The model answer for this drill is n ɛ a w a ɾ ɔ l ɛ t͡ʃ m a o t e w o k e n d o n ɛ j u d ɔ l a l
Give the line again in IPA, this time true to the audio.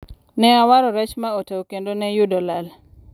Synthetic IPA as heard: n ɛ a w a ɾ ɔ ɾ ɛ t͡ʃ m a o t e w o k e n d o n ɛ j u d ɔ l a l